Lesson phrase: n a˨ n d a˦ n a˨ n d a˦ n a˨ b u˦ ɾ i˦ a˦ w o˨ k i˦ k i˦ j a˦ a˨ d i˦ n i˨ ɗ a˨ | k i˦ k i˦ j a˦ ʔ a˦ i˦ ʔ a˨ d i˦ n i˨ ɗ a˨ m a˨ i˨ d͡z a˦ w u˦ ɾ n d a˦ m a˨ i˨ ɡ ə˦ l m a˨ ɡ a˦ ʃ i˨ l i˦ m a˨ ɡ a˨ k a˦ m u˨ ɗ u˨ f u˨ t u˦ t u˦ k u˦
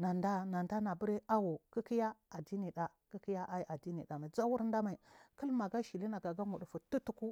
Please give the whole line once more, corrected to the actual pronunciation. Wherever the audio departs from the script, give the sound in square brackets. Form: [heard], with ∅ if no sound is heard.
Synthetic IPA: n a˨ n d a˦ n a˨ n d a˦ n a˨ b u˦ ɾ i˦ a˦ w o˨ k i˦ k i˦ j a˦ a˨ d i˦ n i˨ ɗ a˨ | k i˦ k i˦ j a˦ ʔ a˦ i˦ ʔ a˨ d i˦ n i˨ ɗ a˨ m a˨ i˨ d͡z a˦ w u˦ ɾ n d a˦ m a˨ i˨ [k] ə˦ l m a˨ ɡ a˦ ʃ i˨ l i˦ [n] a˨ ɡ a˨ [ɡ] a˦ m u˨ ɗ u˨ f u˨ t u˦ t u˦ k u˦